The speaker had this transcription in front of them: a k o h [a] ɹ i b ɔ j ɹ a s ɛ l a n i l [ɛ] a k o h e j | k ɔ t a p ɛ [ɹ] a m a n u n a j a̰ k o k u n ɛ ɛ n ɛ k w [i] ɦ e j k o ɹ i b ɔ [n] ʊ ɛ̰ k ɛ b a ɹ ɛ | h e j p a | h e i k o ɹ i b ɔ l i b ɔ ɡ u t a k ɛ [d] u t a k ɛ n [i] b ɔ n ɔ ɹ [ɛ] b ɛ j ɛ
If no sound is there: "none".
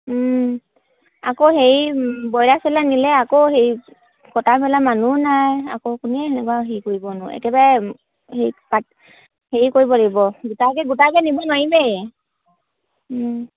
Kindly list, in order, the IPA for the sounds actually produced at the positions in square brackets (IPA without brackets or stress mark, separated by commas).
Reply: e, ɛ, l, a, n, ɡ, i, i